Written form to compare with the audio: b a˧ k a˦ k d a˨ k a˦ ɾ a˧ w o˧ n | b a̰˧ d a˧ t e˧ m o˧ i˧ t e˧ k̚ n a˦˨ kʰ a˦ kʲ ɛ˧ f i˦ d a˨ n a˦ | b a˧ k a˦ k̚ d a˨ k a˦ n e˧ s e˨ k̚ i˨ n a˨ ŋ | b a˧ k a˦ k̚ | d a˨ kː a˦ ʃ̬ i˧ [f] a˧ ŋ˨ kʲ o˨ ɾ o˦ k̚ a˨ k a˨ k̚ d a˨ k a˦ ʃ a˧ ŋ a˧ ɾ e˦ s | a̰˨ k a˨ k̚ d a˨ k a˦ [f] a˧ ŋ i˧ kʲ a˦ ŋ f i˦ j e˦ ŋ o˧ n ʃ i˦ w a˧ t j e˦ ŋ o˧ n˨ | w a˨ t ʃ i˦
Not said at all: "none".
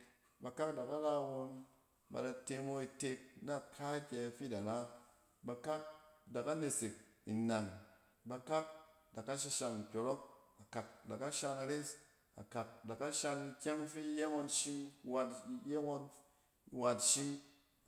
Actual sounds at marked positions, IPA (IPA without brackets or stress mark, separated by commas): ʃ, ʃ